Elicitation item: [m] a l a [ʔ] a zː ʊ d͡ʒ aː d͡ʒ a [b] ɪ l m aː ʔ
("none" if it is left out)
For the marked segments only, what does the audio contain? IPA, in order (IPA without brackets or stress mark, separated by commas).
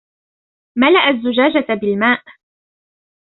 m, ʔ, b